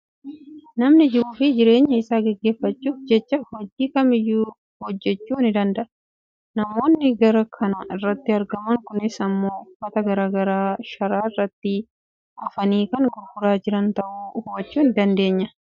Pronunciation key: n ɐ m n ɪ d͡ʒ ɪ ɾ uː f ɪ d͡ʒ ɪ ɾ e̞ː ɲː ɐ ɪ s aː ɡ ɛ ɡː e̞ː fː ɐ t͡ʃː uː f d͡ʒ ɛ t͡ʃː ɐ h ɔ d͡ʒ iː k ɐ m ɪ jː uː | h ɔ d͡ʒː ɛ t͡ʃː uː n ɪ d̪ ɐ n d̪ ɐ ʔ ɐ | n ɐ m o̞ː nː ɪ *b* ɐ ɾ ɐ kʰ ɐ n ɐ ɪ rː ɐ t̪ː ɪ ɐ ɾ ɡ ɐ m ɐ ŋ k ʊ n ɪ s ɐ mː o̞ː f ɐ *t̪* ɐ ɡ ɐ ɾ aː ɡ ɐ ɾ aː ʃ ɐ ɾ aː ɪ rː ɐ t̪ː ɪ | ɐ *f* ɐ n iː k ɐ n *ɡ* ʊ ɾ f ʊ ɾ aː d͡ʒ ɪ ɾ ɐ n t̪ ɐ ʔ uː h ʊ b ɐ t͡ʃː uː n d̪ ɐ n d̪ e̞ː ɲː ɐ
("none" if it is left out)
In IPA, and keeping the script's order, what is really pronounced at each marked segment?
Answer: ɡ, t̪, f, ɡ

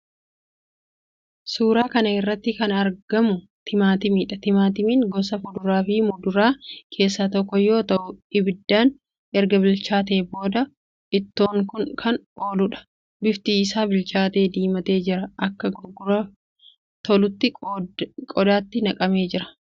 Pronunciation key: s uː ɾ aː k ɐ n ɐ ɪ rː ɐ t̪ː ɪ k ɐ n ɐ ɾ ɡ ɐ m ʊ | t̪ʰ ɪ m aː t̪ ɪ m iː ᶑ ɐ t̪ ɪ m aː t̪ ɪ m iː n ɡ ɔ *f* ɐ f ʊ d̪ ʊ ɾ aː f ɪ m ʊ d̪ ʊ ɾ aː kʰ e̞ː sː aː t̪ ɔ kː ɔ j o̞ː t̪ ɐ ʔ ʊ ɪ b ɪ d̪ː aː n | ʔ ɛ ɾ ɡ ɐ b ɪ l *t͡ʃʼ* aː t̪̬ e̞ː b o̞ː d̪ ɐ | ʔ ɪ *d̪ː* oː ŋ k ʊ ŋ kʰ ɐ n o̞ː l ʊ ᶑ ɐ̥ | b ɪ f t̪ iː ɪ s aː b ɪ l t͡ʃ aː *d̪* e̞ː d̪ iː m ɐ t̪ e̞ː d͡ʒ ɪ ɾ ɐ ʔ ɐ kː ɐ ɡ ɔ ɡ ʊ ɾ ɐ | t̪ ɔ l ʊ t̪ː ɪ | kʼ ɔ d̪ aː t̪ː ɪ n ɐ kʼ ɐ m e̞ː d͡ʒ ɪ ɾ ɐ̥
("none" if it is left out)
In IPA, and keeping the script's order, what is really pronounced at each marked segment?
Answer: s, t͡ʃ, t̪ː, t̪

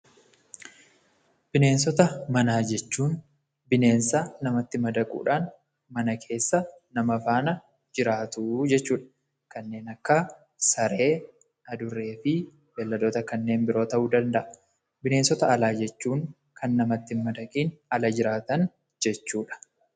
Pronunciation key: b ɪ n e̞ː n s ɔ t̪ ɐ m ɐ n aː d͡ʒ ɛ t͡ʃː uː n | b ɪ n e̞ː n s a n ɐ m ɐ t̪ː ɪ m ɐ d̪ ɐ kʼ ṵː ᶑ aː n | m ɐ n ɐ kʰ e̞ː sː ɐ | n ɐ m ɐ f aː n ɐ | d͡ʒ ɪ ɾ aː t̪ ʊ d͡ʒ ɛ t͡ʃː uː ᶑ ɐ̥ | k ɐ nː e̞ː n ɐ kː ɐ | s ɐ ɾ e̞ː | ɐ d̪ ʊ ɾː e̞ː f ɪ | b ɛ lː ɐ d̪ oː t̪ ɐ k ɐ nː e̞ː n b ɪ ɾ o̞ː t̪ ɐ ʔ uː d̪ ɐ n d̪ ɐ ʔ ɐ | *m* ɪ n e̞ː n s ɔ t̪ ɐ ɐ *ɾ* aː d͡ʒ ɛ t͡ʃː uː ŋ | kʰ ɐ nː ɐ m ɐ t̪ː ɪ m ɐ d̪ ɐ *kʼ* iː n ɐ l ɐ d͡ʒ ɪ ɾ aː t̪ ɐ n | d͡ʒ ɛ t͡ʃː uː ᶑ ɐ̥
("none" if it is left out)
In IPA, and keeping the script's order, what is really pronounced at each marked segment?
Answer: b, l, kʼ

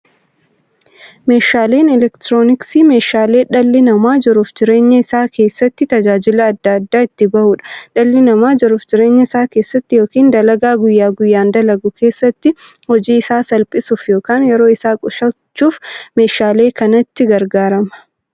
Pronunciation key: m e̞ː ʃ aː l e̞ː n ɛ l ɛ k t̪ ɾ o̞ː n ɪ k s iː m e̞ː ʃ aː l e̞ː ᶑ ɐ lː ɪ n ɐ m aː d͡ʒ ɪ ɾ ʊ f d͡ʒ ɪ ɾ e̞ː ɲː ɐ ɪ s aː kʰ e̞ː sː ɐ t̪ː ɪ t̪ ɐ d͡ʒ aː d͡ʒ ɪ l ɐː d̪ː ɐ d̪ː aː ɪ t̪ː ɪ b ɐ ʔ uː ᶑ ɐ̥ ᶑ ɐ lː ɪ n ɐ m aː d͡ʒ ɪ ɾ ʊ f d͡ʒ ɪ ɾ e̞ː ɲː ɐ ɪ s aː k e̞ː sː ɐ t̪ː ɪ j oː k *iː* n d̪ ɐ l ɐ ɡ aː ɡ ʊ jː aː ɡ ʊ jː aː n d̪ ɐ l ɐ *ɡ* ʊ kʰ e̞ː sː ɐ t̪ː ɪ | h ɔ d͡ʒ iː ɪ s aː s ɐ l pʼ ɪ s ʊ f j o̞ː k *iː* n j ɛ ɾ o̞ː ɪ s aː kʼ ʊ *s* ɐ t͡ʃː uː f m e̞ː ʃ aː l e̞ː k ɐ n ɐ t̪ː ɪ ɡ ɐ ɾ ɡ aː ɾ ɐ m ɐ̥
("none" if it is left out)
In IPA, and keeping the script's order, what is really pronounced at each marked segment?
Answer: iː, ɡ, aː, ʃ

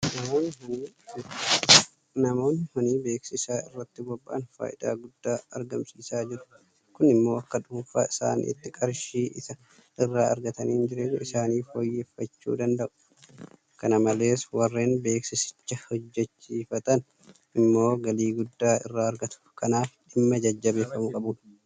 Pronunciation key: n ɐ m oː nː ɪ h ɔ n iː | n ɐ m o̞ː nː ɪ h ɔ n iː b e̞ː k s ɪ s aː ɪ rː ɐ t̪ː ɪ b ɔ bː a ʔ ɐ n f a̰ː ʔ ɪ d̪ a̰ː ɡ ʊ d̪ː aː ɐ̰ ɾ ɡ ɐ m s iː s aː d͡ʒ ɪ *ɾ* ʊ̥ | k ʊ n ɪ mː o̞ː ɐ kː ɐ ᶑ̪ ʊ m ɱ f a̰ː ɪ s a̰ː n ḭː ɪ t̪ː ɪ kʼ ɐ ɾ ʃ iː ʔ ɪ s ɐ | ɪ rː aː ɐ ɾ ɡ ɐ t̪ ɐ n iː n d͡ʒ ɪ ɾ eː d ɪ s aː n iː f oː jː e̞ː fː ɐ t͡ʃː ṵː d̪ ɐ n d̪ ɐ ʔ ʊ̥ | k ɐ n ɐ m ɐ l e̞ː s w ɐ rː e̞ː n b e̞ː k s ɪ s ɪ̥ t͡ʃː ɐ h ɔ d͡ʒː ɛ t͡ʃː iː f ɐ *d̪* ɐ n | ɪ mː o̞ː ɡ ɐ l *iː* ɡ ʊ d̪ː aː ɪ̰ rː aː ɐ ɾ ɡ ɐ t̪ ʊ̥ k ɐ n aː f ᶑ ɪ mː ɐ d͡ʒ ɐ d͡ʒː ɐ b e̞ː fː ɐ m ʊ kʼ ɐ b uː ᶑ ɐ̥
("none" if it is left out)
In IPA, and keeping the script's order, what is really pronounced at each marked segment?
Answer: ɾ, t̪, iː

